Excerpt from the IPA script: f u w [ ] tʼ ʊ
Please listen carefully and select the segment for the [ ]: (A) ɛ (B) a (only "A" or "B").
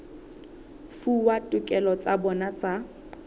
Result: B